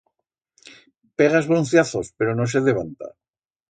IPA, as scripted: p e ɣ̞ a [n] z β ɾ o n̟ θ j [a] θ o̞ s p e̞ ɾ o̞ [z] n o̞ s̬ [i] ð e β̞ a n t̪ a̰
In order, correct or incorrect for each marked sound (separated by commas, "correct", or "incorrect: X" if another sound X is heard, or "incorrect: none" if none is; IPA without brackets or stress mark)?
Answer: incorrect: none, correct, incorrect: none, incorrect: e